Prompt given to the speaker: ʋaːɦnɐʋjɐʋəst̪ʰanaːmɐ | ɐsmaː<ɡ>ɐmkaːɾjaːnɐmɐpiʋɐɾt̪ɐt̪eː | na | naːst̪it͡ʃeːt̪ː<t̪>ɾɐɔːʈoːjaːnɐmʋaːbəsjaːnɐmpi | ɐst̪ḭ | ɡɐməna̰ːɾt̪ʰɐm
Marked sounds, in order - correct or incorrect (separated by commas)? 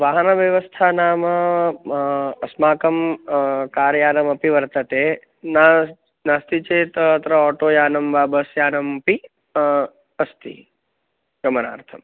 incorrect, correct